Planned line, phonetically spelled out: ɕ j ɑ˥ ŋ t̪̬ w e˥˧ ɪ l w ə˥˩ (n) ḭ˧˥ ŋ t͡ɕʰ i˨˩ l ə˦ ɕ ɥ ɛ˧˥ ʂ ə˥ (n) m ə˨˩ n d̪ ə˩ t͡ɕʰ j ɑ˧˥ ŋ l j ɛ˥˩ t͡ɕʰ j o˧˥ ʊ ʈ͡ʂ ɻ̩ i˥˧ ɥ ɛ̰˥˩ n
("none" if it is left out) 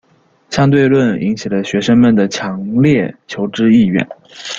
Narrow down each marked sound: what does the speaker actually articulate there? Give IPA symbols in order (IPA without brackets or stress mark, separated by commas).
n, ŋ